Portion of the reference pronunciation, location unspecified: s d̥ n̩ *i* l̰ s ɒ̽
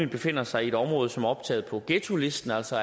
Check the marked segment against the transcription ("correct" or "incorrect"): incorrect